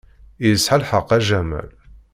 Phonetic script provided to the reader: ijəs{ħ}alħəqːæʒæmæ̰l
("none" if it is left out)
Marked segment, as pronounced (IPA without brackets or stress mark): ħ